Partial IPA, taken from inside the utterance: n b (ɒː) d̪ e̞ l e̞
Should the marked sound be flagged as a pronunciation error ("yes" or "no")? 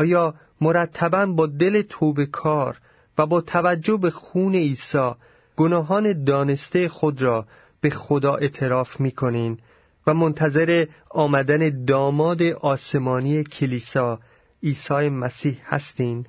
no